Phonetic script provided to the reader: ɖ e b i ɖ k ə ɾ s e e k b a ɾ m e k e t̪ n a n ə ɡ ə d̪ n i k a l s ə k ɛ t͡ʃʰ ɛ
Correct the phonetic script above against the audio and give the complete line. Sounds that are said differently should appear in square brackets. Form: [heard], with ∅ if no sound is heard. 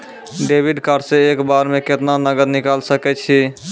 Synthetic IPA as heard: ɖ e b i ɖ k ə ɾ s e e k b a ɾ m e k e t̪ n a n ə ɡ ə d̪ n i k a l s ə k ɛ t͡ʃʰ [i]